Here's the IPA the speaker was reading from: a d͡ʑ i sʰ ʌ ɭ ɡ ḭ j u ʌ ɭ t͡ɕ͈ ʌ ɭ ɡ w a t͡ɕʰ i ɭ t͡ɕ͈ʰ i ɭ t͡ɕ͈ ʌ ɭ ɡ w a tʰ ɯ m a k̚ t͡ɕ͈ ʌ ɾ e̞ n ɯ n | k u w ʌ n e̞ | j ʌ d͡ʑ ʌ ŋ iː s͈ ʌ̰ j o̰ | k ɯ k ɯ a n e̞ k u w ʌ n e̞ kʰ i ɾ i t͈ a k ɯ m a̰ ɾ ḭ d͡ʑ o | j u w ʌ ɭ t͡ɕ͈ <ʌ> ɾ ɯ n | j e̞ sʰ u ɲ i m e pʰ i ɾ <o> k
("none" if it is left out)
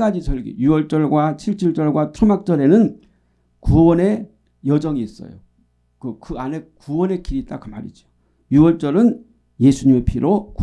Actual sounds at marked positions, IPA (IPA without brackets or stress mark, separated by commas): ʌ, o